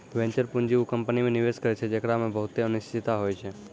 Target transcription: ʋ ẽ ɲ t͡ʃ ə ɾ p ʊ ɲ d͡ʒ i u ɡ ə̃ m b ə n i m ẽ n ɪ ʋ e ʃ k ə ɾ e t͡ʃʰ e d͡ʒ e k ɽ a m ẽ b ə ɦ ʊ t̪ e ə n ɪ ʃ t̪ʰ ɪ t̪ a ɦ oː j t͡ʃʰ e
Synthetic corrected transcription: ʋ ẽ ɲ t͡ʃ ə ɾ p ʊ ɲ d͡ʒ i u k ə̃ m p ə n i m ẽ n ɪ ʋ e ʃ k ə ɾ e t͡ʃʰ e d͡ʒ e k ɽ a m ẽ b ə ɦ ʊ t̪ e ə n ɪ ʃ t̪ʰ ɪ t̪ a ɦ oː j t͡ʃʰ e